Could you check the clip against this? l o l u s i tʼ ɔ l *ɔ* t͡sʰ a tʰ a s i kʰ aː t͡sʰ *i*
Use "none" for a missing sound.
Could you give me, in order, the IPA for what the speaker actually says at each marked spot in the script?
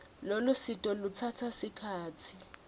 u, i

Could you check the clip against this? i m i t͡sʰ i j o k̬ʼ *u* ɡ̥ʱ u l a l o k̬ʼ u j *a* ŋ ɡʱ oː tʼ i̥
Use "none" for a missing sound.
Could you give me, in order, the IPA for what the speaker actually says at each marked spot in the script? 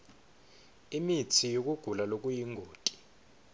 u, i

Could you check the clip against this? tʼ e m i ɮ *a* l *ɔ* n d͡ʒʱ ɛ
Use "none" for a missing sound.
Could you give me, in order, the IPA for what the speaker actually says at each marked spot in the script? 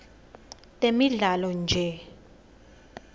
a, ɔ

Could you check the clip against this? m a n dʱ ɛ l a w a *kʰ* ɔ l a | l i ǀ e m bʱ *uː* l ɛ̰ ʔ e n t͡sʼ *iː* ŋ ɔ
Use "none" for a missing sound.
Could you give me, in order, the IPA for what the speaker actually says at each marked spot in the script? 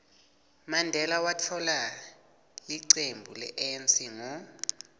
tʰ, u, i

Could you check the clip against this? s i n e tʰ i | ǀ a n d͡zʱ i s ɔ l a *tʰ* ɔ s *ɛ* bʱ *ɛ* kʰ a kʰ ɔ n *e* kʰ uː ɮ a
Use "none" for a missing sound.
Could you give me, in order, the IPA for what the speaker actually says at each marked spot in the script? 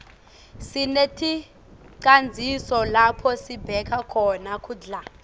pʰ, i, ɛ, a

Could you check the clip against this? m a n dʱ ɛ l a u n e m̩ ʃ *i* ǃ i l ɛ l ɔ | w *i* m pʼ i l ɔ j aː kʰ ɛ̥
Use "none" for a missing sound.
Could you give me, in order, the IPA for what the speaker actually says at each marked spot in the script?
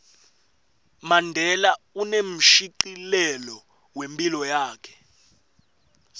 i, e

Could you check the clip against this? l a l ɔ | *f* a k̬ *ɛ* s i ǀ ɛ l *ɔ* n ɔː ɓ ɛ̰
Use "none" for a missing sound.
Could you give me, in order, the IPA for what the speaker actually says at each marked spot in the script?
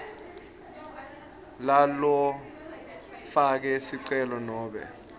f, ɛ, ɔ

